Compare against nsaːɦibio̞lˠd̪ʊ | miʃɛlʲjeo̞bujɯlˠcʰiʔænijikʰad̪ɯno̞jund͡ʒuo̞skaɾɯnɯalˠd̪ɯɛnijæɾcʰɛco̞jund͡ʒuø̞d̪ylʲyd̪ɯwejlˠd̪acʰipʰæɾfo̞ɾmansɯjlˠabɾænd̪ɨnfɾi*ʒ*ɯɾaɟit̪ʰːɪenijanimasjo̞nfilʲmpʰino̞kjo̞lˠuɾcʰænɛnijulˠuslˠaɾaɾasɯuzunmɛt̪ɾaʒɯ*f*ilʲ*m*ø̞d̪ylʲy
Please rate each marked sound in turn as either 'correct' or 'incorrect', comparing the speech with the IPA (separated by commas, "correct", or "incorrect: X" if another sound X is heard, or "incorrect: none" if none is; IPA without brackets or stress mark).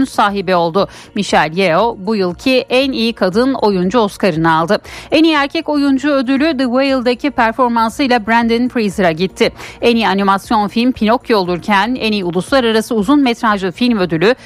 incorrect: z, correct, correct